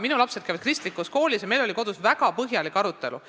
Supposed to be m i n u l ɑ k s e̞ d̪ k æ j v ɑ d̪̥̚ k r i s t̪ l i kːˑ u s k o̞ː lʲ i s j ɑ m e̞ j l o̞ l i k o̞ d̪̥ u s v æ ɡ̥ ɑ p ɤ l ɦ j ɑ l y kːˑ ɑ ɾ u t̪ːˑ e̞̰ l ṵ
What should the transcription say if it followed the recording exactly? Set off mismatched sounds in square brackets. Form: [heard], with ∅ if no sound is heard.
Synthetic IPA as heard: m i n u l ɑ [p] s e̞ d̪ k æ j v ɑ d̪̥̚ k r i s t̪ l i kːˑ u s k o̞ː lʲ i s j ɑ m e̞ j l o̞ l i k o̞ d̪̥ u s v æ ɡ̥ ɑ p ɤ [∅] ɦ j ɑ l [i] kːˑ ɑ ɾ u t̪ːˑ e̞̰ l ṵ